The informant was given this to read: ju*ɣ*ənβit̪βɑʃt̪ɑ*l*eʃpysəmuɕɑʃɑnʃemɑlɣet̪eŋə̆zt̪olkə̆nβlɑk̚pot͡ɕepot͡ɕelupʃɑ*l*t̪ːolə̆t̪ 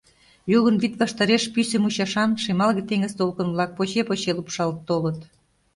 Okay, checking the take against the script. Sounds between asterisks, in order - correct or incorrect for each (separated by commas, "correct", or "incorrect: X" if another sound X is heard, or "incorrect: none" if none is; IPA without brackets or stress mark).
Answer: correct, incorrect: ɾ, correct